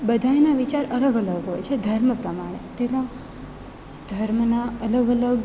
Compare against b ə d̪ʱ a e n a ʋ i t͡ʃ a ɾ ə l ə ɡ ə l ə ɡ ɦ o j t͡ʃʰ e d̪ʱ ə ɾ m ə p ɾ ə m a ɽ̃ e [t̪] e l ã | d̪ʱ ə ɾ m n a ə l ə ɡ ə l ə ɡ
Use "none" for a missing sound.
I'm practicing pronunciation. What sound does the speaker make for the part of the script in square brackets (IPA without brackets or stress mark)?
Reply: t̪